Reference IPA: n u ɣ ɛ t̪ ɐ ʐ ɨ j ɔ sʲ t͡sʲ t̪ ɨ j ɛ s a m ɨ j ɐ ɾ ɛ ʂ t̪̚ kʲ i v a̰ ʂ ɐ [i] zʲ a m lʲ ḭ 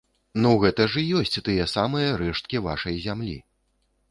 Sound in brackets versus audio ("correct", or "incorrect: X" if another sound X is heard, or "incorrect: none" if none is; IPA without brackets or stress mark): incorrect: j